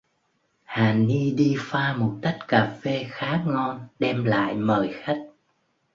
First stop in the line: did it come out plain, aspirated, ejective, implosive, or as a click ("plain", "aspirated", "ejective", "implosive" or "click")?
implosive